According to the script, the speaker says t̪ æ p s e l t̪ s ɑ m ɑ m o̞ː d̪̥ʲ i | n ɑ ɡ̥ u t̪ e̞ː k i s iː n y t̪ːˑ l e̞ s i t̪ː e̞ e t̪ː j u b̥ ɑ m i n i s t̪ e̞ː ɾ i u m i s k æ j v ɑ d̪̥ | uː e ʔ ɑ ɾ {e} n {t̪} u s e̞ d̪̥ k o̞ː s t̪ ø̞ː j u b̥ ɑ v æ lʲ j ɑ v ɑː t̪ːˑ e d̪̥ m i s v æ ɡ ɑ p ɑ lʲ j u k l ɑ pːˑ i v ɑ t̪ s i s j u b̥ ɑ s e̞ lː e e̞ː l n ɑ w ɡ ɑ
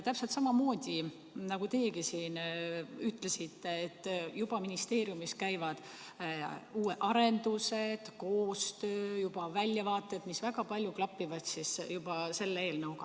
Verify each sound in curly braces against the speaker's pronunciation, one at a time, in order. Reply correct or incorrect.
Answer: correct, incorrect: d̪

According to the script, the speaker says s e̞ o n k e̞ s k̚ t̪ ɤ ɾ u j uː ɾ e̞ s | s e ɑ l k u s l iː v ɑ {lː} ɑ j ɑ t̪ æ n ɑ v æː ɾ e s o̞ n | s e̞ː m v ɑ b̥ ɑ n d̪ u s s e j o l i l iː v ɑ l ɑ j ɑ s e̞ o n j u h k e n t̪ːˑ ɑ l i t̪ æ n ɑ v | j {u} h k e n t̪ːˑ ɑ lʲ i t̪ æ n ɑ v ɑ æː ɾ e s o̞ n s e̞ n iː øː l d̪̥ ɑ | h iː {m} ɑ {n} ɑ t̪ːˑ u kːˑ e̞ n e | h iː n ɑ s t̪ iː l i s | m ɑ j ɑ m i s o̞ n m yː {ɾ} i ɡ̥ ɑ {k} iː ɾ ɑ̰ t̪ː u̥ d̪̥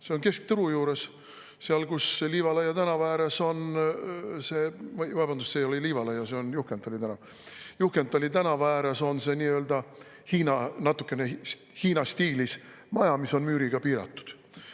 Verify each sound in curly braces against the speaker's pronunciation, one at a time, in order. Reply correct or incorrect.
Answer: incorrect: l, correct, incorrect: n, correct, correct, incorrect: p

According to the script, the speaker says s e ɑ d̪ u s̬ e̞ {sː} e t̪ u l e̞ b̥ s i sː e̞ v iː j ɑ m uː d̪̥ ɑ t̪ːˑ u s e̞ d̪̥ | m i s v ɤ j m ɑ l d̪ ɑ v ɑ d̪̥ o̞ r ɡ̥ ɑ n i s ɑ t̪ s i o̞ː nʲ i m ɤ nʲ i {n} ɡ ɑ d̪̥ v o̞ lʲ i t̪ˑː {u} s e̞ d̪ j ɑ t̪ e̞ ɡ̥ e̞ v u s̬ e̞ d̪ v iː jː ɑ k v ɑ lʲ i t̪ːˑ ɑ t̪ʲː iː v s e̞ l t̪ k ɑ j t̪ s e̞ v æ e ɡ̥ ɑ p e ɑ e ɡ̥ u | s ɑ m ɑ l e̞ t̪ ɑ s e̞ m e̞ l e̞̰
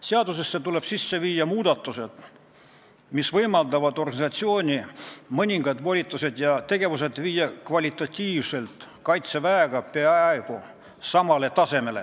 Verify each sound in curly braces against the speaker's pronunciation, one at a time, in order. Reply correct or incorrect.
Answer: correct, incorrect: ŋ, correct

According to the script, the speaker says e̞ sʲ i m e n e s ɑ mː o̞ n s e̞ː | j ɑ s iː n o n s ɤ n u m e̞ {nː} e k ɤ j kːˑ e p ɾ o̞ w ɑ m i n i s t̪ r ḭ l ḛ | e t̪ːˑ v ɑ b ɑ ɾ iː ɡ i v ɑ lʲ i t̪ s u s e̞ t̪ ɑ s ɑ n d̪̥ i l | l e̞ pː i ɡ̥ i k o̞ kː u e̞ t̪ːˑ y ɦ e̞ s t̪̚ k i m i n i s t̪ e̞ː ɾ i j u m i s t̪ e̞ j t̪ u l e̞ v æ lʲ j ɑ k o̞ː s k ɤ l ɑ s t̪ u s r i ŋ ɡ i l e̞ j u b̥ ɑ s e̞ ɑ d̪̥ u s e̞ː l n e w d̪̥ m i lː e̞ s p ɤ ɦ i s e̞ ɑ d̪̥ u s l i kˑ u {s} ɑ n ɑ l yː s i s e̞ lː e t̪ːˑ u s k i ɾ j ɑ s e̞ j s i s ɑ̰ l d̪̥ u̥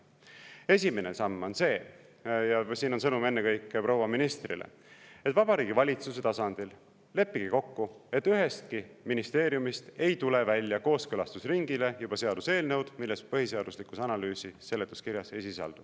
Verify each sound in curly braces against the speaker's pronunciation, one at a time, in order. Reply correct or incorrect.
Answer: correct, correct

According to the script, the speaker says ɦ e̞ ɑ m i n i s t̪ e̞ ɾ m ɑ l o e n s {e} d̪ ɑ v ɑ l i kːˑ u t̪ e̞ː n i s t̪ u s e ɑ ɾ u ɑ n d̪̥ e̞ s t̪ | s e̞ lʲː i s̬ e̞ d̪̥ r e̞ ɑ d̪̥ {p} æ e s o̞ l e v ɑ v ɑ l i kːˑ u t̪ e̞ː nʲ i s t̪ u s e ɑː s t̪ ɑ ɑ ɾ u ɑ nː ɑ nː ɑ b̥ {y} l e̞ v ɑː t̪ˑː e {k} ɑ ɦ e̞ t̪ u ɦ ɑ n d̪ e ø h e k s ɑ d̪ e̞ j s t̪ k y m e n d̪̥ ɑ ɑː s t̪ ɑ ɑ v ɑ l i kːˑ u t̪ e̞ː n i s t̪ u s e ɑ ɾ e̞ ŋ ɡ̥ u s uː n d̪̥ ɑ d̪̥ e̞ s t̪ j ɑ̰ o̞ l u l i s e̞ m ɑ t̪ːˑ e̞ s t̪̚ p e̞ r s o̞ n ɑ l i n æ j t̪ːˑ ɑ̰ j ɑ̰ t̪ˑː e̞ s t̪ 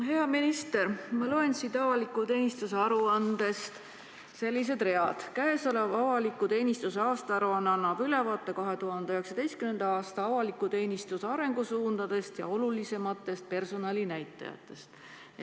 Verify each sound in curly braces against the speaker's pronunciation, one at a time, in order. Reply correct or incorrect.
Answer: incorrect: i, incorrect: k, correct, correct

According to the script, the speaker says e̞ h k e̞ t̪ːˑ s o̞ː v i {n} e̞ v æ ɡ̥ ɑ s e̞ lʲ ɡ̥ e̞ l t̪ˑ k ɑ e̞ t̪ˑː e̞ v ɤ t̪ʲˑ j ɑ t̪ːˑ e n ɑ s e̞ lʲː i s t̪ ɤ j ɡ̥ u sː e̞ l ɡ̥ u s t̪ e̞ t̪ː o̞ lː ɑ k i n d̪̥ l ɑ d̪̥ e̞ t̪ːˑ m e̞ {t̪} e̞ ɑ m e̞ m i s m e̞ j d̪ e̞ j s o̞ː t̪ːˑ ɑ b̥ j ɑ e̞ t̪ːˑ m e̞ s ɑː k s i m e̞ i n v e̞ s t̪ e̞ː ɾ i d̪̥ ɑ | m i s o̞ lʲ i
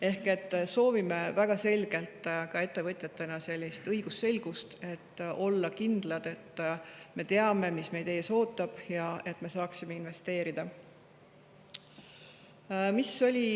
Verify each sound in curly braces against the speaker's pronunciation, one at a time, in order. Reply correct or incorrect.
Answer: incorrect: m, correct

